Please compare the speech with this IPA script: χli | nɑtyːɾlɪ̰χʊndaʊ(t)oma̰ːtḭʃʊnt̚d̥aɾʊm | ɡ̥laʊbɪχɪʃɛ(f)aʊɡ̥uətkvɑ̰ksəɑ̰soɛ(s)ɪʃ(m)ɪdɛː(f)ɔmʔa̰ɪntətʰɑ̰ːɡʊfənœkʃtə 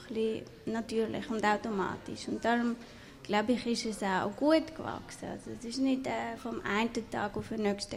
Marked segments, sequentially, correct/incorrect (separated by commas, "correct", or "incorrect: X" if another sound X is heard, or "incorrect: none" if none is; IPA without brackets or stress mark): correct, incorrect: s, correct, incorrect: n, correct